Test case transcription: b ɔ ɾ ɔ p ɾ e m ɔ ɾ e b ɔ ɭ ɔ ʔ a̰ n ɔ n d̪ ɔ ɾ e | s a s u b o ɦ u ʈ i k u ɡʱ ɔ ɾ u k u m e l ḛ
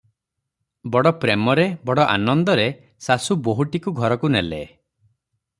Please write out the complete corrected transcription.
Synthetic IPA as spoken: b ɔ ɽ ɔ p ɾ e m ɔ ɾ e b ɔ ɽ ɔ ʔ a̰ n ɔ n d̪ ɔ ɾ e | s a s u b o ɦ u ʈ i k u ɡʱ ɔ ɾ ɔ k u n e l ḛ